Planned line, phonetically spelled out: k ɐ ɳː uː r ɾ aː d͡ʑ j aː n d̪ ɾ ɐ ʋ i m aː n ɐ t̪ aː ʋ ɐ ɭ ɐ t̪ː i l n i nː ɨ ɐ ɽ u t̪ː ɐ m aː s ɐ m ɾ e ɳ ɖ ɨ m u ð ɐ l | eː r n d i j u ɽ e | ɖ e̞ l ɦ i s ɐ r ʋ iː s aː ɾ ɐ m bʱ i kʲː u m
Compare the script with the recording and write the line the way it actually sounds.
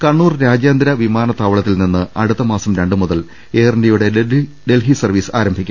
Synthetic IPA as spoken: k ɐ ɳː uː r ɾ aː d͡ʑ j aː n d̪ ɾ ɐ ʋ i m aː n ɐ t̪ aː ʋ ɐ ɭ ɐ t̪ː i l n i nː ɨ ɐ ɽ u t̪ː ɐ m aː s ɐ m ɾ e ɳ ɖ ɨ m u ð ɐ l | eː r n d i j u ɽ e | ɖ e̞ l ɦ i s ɐ r ʋ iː s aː ɾ ɐ m bʱ i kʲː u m